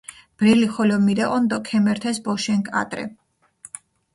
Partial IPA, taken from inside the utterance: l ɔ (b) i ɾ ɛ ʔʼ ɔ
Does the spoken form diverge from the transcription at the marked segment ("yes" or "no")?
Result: yes